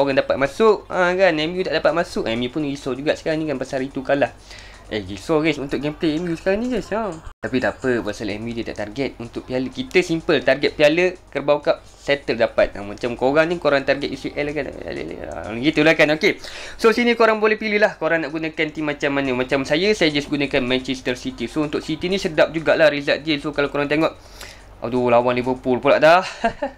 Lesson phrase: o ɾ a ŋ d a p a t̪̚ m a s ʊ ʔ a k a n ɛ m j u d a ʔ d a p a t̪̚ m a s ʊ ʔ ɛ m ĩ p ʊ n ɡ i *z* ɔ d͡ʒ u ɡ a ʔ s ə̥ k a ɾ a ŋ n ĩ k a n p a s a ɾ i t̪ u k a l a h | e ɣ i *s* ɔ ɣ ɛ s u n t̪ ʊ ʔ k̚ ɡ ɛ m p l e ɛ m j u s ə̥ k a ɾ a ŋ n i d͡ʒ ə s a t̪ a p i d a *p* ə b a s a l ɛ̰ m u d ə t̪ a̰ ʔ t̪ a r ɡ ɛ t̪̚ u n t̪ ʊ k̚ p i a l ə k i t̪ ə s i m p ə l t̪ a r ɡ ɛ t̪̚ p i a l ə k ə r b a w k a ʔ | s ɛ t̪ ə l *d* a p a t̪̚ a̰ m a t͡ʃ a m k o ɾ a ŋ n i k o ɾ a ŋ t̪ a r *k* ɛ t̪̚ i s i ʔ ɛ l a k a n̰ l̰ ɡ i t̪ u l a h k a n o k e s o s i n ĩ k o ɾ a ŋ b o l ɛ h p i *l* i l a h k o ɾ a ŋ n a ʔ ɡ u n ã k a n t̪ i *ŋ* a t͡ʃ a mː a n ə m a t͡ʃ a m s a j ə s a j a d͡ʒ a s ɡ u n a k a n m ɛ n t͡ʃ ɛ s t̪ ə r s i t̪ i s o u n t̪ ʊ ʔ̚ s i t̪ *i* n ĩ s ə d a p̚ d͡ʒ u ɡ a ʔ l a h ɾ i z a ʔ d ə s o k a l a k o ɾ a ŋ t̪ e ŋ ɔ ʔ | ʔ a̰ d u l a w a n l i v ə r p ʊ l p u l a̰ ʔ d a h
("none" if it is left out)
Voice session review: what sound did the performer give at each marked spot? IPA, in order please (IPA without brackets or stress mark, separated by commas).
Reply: s, s, p, d, ɡ, l, m, i